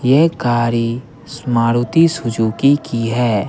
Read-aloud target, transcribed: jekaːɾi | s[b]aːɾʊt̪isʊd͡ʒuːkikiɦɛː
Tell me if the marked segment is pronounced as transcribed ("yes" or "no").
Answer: no